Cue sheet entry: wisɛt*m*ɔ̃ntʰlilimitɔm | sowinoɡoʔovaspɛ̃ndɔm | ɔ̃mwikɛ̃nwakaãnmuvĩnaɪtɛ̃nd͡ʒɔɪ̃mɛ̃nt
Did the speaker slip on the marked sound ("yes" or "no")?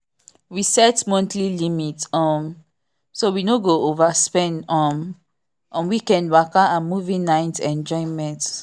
no